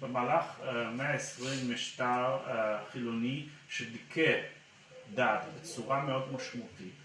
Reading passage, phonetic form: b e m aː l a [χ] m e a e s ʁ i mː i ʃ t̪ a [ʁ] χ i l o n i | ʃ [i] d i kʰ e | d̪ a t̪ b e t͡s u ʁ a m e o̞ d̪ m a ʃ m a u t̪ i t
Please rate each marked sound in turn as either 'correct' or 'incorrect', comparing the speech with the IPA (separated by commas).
correct, correct, incorrect